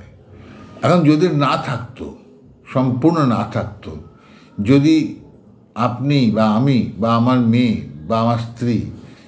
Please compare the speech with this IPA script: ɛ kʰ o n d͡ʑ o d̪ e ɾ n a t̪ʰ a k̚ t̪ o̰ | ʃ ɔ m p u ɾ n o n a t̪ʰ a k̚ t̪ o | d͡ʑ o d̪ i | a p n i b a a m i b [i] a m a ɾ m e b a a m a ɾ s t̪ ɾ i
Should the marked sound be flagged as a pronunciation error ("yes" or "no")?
yes